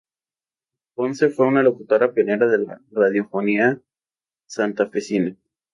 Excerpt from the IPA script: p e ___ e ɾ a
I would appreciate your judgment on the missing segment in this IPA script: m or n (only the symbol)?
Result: n